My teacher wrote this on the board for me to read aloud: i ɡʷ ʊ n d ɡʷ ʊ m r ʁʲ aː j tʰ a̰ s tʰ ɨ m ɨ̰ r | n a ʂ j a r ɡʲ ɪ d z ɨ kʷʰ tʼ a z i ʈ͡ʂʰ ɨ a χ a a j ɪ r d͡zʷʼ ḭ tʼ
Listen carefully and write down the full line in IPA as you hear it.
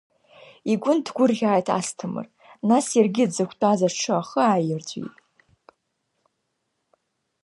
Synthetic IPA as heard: i ɡʷ ʊ n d ɡʷ ʊ r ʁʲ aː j tʰ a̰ s tʰ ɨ m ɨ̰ r | n a s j a r ɡʲ ɪ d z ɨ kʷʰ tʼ a z a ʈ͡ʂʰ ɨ a χ ə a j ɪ r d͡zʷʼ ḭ tʼ